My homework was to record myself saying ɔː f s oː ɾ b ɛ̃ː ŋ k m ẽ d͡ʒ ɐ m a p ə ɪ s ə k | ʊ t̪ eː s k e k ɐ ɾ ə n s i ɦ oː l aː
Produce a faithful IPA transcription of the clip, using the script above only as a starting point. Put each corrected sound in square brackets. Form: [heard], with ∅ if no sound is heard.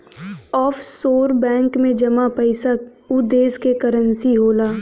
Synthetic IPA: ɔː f s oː ɾ b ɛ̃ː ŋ k m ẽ d͡ʒ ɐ m a p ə ɪ s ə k | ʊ [d̪] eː s k e k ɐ ɾ ə n s i ɦ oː l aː